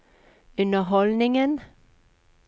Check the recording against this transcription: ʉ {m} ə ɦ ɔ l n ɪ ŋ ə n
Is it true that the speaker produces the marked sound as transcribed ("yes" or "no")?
no